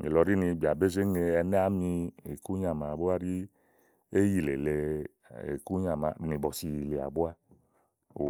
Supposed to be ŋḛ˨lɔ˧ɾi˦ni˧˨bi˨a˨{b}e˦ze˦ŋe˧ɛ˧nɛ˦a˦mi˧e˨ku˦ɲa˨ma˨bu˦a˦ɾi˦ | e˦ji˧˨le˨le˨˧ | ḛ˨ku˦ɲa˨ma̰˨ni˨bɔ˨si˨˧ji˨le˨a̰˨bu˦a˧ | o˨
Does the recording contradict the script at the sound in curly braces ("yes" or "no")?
no